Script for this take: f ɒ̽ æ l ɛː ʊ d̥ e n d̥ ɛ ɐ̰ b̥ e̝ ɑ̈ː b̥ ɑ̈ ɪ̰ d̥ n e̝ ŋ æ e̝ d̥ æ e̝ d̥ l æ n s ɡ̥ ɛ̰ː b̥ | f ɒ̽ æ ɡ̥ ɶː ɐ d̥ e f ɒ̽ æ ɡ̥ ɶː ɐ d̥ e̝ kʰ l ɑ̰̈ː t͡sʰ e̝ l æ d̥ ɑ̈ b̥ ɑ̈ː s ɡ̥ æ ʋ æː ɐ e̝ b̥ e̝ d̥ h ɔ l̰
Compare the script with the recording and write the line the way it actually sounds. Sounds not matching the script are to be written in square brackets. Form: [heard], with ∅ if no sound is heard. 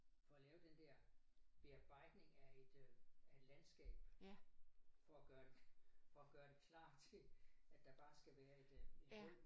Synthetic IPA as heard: f ɒ̽ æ l ɛː ʊ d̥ e n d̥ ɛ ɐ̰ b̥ e̝ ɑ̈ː b̥ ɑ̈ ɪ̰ d̥ n e̝ ŋ æ e̝ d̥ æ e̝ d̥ l æ n s ɡ̥ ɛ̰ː b̥ | f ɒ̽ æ ɡ̥ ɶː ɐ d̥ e f ɒ̽ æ ɡ̥ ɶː ɐ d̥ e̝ kʰ l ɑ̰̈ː t͡sʰ e̝ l æ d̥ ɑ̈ b̥ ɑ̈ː s ɡ̥ æ ʋ æː ɐ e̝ [d̥] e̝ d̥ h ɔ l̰